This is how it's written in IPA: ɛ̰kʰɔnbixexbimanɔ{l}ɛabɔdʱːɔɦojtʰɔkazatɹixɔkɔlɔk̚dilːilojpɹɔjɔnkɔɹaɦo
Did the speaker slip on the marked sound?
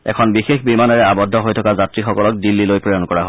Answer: yes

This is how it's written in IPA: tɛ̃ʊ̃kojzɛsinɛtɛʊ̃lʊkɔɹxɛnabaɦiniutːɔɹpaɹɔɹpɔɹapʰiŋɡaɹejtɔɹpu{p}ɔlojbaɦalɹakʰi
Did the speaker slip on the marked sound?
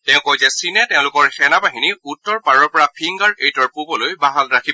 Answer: yes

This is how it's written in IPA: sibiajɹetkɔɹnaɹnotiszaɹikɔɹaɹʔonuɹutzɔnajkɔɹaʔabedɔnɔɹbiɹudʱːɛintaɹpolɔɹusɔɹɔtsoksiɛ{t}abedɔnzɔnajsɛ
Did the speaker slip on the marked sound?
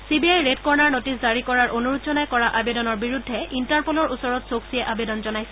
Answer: yes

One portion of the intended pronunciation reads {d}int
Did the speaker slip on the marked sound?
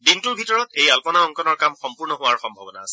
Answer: no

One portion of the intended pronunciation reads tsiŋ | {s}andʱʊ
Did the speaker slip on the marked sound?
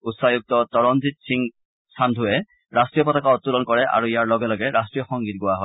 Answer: no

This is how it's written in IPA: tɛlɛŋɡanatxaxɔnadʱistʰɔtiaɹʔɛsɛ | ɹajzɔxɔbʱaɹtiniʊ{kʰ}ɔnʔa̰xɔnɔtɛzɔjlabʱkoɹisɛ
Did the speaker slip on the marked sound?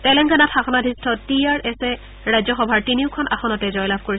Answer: no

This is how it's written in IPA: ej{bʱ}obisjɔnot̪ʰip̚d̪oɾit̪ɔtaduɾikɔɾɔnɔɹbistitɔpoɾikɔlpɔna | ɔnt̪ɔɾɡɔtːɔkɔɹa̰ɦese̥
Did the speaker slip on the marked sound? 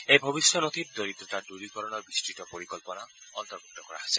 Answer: no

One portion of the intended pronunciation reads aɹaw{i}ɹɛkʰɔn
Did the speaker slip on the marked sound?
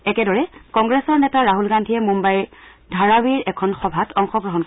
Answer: no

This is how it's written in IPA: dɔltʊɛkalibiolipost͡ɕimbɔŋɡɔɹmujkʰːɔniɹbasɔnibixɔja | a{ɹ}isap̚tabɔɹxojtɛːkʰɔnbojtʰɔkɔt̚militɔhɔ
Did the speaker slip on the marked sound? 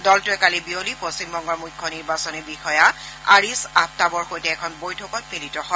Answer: no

